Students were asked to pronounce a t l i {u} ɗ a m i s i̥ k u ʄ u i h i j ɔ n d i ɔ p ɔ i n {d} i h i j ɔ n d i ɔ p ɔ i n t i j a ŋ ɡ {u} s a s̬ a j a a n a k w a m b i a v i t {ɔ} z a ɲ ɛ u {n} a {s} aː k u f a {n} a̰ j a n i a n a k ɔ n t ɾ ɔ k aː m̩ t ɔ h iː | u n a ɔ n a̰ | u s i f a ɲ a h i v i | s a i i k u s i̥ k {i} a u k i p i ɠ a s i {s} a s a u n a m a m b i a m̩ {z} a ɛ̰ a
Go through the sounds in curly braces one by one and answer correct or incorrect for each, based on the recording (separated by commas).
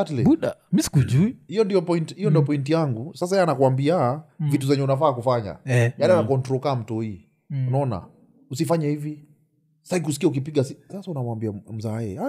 correct, incorrect, correct, incorrect, correct, incorrect, incorrect, correct, correct, correct